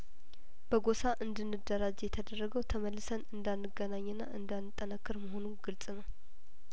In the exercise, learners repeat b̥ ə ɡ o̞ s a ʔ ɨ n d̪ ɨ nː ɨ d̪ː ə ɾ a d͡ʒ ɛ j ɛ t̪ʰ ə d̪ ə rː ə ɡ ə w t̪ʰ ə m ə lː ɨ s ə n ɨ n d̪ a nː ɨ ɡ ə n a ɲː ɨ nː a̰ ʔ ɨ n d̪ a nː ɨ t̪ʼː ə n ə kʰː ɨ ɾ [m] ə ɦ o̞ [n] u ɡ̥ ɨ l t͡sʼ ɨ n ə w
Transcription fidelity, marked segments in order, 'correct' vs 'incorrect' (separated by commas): correct, correct